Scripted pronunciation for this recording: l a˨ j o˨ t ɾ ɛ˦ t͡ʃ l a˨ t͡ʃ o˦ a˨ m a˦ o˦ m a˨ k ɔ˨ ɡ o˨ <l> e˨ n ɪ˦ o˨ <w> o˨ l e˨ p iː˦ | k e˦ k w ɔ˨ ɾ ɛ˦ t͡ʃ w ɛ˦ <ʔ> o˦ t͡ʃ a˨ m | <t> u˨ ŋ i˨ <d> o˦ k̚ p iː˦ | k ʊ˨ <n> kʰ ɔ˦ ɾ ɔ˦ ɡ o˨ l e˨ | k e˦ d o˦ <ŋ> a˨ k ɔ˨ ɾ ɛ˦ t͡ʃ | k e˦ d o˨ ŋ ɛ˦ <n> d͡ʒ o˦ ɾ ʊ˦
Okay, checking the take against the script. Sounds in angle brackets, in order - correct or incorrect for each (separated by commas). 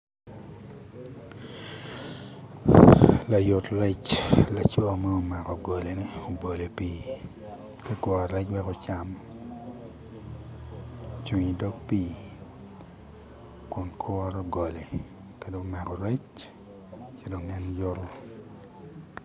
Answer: correct, incorrect, incorrect, incorrect, correct, correct, incorrect, correct